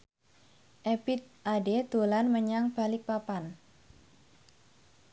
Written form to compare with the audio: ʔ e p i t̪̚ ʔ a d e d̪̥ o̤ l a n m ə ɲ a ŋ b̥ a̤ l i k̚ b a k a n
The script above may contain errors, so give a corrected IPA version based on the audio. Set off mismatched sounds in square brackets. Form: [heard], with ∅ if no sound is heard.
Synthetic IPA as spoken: ʔ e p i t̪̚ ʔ a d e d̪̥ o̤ l a n m ə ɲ a ŋ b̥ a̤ l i k̚ [p] a [p] a n